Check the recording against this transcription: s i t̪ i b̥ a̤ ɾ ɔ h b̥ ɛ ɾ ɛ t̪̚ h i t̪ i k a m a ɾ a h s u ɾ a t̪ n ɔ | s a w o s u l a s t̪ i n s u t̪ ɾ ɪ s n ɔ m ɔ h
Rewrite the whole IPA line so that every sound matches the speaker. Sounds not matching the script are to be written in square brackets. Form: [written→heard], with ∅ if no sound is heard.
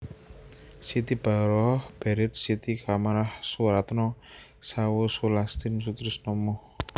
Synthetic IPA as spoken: s i t̪ i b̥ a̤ ɾ ɔ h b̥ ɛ ɾ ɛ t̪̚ [h→s] i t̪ i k a m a ɾ a h s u ɾ a t̪ n ɔ | s a w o s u l a s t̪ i n s u t̪ ɾ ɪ s n ɔ m ɔ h